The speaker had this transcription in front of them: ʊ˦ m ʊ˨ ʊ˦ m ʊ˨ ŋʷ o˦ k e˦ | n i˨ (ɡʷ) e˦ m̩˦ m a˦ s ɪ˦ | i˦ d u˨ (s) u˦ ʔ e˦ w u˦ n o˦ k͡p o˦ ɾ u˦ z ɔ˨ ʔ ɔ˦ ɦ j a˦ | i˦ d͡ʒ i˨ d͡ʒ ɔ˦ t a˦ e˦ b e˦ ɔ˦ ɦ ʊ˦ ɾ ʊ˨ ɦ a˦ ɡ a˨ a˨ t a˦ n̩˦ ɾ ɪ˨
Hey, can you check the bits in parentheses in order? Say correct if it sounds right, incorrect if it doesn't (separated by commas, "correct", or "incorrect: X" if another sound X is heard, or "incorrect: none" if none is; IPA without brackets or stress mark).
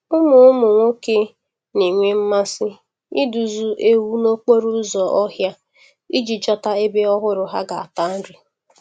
incorrect: ŋʷ, incorrect: z